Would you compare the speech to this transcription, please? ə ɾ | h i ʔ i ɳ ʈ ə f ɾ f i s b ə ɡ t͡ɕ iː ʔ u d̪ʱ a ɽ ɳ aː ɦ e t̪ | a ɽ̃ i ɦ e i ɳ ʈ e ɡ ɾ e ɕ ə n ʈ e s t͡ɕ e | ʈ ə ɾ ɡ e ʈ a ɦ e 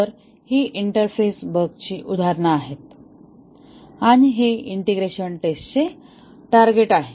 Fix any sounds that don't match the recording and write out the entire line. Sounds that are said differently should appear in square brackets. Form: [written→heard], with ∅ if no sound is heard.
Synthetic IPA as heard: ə ɾ | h i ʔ i ɳ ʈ ə [f→∅] ɾ f [i→e] s b ə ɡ t͡ɕ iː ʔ u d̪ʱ a [ɽ→ɾ] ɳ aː ɦ e t̪ | a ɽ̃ i ɦ e i ɳ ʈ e ɡ ɾ e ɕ ə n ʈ e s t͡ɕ e | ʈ [ə→a] ɾ ɡ e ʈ a ɦ e